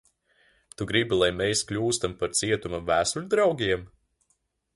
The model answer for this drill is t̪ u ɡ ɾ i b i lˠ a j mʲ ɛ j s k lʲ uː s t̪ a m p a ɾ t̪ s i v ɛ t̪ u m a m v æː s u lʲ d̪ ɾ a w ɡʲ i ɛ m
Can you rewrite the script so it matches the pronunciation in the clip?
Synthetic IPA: t̪ u ɡ ɾ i b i lˠ a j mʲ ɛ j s k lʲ uː s t̪ a m p a ɾ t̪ s i ɛ t̪ u m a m v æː s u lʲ d̪ ɾ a w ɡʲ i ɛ m